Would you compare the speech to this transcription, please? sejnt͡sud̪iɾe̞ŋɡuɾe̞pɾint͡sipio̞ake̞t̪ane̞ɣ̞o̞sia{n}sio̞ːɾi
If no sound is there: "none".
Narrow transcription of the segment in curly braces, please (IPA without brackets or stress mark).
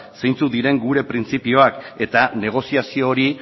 none